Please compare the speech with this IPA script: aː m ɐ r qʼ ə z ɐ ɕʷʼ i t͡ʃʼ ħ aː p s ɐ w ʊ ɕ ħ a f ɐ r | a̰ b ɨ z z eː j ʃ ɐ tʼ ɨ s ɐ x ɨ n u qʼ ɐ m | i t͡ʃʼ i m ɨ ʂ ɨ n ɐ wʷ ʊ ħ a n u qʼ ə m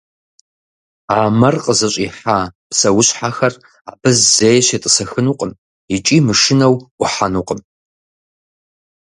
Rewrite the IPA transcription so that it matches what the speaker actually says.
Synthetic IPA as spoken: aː m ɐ r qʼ ə z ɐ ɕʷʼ i ħ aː p s ɐ w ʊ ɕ ħ a x ɐ r | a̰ b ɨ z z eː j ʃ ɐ tʼ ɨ s ɐ x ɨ n u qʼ ə m | i t͡ʃʼ i m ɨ ʂ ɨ n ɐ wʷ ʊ ħ a n u qʼ ə m

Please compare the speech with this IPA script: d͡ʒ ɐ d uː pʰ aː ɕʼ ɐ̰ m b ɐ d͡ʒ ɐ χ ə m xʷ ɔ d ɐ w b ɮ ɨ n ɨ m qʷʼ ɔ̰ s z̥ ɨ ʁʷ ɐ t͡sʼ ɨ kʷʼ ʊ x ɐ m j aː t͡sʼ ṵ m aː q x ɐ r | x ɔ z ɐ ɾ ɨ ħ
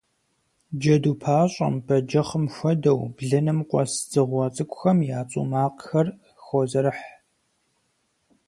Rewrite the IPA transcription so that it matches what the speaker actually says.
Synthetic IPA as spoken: d͡ʒ ɐ d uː pʰ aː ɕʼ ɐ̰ m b ɐ d͡ʒ ɐ χ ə m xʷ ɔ d ɐ w b ɮ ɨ n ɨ m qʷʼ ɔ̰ s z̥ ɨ ʁʷ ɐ t͡sʼ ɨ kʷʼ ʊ x ɐ m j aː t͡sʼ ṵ m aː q x ɐ r | x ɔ z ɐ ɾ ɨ ħ

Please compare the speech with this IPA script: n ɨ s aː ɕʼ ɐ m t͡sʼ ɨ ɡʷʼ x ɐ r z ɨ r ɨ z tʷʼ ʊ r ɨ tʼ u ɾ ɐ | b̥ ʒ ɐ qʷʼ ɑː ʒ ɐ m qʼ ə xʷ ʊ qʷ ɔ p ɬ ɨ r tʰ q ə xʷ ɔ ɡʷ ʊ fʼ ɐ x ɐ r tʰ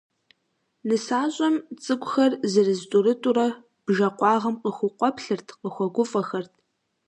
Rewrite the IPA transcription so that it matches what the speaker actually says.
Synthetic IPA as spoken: n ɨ s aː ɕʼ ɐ m t͡sʼ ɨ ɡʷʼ x ɐ r z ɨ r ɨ z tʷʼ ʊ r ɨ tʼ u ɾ ɐ | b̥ ʒ ɐ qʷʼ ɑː ʁ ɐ m q ə xʷ ʊ qʷ ɔ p ɬ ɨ r tʰ q ə xʷ ɔ ɡʷ ʊ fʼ ɐ x ɐ r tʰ

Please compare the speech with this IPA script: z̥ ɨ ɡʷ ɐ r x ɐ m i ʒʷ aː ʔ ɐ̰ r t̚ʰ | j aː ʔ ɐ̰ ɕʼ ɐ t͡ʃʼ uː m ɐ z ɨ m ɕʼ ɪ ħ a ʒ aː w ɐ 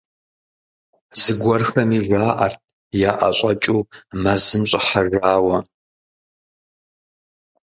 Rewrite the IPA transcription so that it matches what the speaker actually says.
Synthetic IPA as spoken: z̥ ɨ ɡʷ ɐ r x ɐ m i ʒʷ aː ʔ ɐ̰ r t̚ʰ | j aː ʔ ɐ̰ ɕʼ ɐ t͡ʃʼ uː m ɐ z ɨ m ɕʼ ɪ ħ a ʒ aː w ɐ

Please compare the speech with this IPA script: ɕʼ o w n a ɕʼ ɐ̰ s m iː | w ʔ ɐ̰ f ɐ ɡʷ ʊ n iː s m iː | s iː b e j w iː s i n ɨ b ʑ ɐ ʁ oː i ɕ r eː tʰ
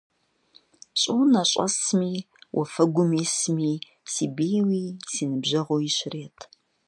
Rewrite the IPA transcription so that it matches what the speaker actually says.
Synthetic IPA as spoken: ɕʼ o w n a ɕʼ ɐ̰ s m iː | w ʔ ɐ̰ f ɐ ɡʷ ʊ m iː s m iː | s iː b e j w iː s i n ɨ b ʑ ɐ ʁ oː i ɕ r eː tʰ

